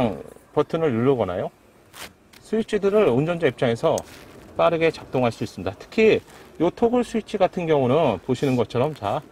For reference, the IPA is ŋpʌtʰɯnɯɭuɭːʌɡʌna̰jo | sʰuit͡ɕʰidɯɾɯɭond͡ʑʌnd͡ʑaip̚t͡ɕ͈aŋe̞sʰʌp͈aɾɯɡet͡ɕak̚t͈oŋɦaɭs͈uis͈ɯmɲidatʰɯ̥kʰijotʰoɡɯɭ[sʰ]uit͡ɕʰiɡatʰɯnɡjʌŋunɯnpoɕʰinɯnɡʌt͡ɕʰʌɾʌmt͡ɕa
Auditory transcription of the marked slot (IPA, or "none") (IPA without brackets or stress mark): sʰ